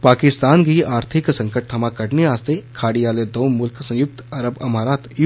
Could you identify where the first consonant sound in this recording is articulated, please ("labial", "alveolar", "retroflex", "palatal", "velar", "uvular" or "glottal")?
labial